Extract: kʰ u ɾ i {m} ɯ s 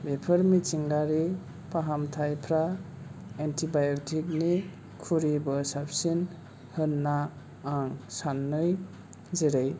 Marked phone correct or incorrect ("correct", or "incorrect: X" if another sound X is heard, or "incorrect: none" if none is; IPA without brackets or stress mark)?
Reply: incorrect: b